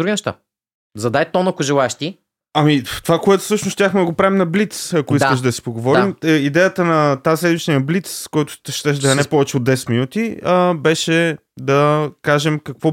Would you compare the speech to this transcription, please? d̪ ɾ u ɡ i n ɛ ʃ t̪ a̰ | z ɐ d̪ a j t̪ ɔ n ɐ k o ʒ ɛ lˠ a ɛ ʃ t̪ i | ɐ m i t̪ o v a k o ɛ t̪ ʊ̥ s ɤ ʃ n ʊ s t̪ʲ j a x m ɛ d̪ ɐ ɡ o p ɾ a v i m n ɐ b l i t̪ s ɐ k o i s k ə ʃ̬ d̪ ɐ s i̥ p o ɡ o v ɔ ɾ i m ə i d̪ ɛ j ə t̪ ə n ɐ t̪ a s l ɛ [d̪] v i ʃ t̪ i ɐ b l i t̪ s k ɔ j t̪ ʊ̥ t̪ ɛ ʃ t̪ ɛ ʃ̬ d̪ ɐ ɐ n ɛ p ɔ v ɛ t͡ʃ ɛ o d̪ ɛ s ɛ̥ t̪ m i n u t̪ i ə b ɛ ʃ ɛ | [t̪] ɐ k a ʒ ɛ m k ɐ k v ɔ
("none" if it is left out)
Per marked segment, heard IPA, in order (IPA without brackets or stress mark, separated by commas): d̪, d̪